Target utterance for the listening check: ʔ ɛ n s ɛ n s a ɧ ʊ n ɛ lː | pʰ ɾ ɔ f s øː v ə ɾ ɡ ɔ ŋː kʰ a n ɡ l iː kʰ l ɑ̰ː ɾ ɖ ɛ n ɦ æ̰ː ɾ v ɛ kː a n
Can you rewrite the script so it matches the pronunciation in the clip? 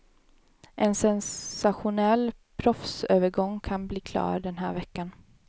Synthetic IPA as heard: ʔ ɛ n s ɛ n s a ɧ ʊ n ɛ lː | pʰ ɾ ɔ f s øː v ə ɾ ɡ ɔ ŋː kʰ a n b l iː kʰ l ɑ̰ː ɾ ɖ ɛ n ɦ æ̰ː ɾ v ɛ kː a n